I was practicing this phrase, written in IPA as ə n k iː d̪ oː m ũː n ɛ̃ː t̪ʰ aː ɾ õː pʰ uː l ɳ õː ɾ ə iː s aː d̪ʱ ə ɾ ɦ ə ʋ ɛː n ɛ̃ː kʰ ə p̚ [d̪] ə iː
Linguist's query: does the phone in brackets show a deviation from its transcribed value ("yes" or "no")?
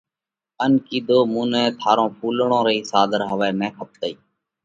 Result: yes